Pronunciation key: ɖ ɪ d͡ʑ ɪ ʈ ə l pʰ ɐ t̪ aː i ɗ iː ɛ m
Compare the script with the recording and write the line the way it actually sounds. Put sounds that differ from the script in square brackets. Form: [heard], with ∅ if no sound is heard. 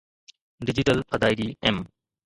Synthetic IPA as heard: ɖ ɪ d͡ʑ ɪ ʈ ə l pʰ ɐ [d̪] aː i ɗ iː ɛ m

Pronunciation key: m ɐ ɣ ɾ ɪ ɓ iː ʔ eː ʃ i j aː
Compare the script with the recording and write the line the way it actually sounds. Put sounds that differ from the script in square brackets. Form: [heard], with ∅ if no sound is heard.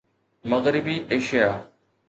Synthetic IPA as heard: m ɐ ɣ ɾ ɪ [b] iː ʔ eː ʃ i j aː

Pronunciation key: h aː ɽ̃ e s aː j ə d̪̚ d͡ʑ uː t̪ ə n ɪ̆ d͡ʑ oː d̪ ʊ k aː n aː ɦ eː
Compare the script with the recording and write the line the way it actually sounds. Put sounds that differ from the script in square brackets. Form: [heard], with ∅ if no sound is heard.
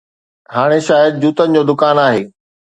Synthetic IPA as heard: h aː ɽ̃ e [ʃ] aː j ə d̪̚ d͡ʑ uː t̪ ə n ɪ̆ d͡ʑ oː d̪ ʊ k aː n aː ɦ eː

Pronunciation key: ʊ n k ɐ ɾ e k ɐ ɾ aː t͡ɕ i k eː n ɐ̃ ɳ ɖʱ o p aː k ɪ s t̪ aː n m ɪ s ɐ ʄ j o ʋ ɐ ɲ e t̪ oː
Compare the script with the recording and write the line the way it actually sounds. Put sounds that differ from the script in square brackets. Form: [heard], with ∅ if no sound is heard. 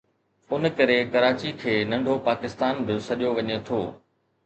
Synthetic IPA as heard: ʊ n k ɐ ɾ e k ɐ ɾ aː t͡ɕ i [kʰ] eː n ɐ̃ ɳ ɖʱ o p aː k ɪ s t̪ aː n [b] ɪ s ɐ ʄ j o ʋ ɐ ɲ e [t̪ʰ] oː

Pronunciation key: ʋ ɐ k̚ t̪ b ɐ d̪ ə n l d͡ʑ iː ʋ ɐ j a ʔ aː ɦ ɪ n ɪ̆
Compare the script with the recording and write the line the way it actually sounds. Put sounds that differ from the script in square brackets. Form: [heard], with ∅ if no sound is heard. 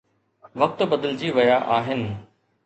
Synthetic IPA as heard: ʋ ɐ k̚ t̪ b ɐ d̪ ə [∅] l d͡ʑ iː ʋ ɐ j a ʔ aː ɦ ɪ n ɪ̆

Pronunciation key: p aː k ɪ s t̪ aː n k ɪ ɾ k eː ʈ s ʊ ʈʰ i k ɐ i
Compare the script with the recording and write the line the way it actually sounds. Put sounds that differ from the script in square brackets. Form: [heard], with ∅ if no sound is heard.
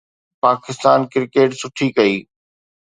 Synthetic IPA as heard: p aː k ɪ s t̪ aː n k ɪ ɾ k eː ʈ s ʊ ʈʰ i k ɐ [iː]

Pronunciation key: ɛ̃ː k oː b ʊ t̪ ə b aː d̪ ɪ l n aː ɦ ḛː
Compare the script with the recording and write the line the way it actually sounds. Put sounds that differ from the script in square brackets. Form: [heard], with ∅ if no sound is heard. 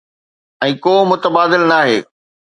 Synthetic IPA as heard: ɛ̃ː k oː [m] ʊ t̪ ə b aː d̪ ɪ l n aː ɦ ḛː

